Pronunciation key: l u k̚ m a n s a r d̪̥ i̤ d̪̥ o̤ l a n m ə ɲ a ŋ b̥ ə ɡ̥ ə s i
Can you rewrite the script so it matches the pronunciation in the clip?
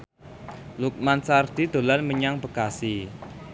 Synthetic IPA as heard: l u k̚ m a n s a r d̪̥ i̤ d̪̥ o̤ l a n m ə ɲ a ŋ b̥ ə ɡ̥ a s i

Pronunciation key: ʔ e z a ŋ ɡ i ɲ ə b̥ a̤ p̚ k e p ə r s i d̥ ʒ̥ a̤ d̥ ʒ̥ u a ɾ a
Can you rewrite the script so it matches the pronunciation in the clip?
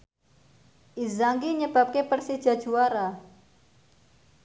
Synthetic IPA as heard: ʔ i z a ŋ ɡ i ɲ ə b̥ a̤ p̚ k e p ə r s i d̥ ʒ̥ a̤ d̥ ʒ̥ u a ɾ a

